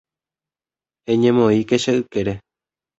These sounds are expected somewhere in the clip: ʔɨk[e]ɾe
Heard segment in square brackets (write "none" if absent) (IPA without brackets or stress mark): e